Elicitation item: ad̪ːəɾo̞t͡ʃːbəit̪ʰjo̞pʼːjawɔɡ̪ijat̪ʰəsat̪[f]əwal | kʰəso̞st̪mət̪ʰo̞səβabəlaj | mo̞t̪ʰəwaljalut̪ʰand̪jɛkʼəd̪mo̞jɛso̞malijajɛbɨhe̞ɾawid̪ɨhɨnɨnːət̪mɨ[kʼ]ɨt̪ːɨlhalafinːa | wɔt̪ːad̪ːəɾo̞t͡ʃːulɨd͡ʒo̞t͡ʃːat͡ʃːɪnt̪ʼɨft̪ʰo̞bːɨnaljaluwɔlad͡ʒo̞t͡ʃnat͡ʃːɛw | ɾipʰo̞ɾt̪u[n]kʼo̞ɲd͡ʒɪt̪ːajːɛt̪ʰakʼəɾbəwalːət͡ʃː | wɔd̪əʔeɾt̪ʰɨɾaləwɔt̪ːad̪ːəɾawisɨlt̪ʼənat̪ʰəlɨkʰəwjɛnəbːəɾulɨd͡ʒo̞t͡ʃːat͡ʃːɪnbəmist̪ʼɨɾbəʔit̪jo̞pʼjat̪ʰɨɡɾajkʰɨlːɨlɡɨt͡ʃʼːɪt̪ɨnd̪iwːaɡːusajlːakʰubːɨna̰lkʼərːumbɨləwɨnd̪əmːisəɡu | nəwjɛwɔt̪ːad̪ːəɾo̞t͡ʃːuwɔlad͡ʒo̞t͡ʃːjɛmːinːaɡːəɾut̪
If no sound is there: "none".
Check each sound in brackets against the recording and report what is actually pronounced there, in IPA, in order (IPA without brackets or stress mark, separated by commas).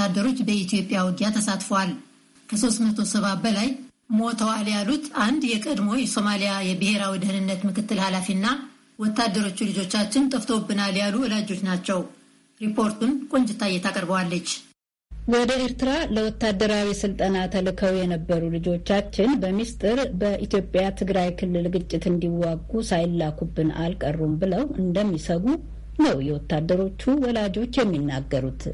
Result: f, k, n